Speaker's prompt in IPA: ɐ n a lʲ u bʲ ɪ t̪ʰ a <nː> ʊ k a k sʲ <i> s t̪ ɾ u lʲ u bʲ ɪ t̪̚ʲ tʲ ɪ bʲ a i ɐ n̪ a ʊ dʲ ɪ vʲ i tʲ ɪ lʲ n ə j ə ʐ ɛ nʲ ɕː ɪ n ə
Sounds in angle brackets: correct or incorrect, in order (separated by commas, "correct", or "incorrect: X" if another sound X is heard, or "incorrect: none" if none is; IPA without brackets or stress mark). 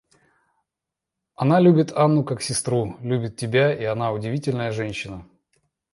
correct, incorrect: ɪ